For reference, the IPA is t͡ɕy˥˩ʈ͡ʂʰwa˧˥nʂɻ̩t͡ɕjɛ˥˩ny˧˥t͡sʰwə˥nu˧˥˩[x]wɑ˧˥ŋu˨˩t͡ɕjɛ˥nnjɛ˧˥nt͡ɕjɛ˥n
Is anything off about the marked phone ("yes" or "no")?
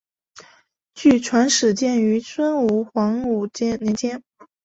no